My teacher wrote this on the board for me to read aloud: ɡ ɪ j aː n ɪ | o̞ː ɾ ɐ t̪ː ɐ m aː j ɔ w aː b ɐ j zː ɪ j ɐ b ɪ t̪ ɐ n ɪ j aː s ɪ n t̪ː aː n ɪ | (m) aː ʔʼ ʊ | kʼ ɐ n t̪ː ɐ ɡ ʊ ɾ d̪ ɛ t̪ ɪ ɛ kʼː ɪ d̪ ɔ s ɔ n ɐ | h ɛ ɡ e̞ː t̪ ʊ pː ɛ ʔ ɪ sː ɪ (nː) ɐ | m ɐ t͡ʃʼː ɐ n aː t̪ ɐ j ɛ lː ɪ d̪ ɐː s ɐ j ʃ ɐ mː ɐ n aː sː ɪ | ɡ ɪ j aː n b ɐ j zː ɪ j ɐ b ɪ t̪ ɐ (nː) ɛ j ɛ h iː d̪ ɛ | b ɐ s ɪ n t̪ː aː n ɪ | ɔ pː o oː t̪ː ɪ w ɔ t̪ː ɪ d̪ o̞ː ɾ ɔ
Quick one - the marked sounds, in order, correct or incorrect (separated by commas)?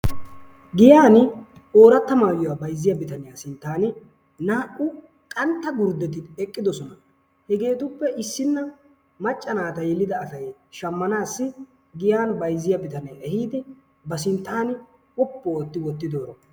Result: incorrect, correct, incorrect